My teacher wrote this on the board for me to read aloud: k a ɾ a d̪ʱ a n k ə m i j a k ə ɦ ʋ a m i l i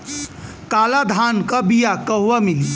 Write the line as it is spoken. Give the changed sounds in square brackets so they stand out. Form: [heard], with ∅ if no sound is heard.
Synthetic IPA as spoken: k a [l] a d̪ʱ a n k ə [b] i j a k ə ɦ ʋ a m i l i

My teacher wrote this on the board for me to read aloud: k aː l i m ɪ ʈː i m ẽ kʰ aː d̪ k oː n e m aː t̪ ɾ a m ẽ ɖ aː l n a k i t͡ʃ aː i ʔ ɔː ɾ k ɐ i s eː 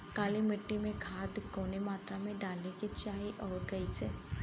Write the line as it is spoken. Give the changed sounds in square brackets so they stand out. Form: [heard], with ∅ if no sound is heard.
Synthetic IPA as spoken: k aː l i m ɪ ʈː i m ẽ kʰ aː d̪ k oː n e m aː t̪ ɾ a m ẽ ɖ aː l n [e] k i t͡ʃ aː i ʔ ɔː ɾ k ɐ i s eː

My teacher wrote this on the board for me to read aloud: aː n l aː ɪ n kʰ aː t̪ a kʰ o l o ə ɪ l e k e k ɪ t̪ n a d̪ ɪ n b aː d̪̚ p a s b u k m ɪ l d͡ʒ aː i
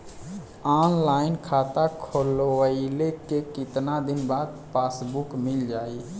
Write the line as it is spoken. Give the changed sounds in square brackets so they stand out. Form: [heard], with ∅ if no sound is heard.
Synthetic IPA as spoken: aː n l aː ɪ n kʰ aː t̪ a kʰ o l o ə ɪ l e k e k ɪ t̪ n a d̪ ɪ n b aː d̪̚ p a s b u k m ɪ l d͡ʒ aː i

